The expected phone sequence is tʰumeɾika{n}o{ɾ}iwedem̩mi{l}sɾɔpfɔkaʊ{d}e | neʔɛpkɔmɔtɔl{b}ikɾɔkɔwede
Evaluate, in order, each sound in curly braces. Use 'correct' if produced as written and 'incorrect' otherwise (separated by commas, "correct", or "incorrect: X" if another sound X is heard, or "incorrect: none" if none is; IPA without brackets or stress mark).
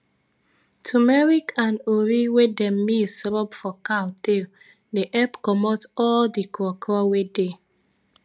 correct, correct, incorrect: none, incorrect: t, incorrect: d